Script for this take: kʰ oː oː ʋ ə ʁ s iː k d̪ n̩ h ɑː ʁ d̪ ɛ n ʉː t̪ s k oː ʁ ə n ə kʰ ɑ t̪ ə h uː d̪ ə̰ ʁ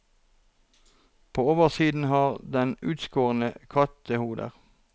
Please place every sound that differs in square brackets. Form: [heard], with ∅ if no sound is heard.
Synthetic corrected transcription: [pʰ] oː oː ʋ ə ʁ s iː [∅] d̪ n̩ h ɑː ʁ d̪ ɛ n ʉː t̪ s k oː ʁ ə n ə kʰ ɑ t̪ ə h uː d̪ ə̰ ʁ